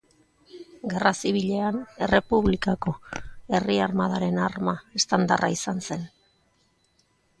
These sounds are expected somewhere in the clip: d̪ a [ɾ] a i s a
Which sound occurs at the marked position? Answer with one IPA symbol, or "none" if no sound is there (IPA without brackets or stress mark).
r